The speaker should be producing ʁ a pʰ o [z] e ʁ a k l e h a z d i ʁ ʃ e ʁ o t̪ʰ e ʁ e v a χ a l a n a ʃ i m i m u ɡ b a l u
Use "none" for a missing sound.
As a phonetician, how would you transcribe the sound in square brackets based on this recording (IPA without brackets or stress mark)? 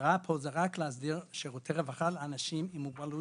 z